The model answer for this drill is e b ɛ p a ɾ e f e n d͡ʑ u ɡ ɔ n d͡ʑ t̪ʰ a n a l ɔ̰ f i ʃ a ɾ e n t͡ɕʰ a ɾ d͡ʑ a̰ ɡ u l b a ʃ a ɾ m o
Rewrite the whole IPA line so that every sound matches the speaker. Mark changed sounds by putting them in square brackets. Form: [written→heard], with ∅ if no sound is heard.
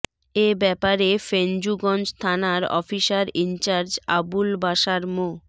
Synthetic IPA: e b ɛ p a ɾ e f e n d͡ʑ u ɡ ɔ n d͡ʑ t̪ʰ a n a [l→ɾ] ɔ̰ f i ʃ a ɾ [e→i] n [t͡ɕʰ→t͡ɕ] a ɾ d͡ʑ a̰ [ɡ→b] u l b a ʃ a ɾ m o